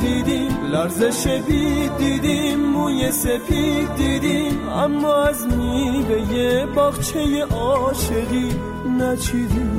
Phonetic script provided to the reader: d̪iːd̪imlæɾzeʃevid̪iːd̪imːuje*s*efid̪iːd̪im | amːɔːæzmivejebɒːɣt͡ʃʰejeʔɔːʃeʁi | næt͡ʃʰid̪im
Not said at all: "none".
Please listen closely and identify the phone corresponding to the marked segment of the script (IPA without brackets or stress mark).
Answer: s